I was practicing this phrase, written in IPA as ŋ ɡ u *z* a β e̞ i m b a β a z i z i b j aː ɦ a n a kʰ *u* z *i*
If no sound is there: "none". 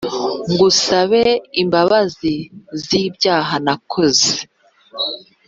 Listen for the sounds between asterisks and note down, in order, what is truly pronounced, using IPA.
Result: s, o, e

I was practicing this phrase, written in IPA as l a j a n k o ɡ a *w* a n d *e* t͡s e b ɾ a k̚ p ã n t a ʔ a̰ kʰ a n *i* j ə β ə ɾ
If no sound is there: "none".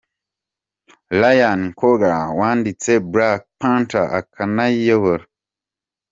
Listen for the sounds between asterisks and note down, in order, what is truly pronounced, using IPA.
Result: w, i, a

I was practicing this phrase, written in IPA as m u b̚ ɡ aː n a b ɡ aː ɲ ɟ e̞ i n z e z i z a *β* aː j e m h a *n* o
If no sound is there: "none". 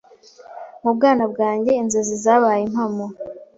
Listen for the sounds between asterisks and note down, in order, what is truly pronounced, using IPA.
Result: β, m

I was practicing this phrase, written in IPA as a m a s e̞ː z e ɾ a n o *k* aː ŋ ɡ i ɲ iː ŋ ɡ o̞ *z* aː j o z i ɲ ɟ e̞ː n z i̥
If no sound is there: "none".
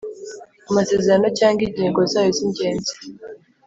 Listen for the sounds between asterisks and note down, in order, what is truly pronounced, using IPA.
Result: c, z

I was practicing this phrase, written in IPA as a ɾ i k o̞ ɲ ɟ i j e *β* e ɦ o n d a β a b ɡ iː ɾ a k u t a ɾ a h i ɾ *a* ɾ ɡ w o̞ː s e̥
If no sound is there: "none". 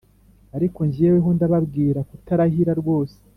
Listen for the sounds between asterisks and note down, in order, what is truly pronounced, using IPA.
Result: w, a

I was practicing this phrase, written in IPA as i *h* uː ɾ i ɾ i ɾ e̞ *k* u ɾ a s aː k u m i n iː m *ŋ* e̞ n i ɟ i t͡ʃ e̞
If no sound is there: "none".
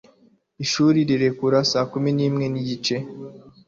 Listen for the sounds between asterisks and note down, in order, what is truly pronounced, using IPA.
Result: ʃ, k, ŋ

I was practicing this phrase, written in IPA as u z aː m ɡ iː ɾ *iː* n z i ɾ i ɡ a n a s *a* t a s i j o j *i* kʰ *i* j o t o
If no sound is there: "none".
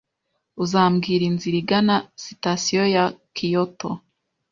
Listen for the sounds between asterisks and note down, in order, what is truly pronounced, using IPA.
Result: i, i, a, i

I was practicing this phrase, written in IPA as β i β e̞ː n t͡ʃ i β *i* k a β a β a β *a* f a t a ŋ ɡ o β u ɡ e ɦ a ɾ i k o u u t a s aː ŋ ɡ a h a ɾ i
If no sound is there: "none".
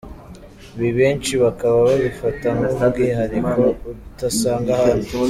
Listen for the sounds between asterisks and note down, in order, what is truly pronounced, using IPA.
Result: a, i

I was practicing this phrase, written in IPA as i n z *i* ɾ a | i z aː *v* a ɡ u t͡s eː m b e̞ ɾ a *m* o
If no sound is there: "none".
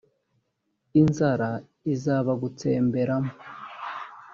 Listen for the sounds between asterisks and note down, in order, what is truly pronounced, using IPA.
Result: a, β, m

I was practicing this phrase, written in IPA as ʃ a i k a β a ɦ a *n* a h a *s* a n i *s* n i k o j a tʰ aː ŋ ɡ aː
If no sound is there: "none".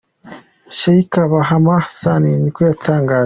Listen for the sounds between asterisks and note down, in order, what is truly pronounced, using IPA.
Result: m, s, none

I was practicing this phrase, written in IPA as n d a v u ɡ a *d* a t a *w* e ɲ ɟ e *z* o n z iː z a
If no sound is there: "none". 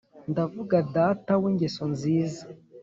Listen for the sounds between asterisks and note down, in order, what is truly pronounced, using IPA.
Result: d, w, s

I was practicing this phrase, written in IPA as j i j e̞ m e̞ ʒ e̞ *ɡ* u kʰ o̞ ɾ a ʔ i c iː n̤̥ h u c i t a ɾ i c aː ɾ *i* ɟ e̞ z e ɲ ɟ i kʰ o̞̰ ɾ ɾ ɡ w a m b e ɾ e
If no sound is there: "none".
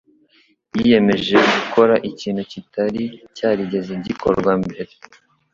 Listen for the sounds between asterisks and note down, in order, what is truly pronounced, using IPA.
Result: ɡ, i

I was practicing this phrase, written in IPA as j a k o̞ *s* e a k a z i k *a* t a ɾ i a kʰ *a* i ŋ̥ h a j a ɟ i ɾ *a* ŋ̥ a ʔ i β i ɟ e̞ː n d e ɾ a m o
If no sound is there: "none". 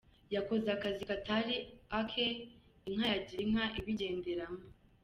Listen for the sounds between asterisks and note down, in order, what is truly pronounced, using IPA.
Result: z, a, e, i

